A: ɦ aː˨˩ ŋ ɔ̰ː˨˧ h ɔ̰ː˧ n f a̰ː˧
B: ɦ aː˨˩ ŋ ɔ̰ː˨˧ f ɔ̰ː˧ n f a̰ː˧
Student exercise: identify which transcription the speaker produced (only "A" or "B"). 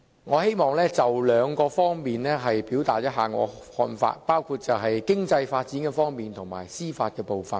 A